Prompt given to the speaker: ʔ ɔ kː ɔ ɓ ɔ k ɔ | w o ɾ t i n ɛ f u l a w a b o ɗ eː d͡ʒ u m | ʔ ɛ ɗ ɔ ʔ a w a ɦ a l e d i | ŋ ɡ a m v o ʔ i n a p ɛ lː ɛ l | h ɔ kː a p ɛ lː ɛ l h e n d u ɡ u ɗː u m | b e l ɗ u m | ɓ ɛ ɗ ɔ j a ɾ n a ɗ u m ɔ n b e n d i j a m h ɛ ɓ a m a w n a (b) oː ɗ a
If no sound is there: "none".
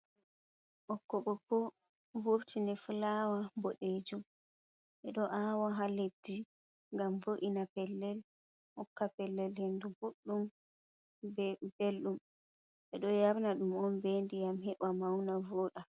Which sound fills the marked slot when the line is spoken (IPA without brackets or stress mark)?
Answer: v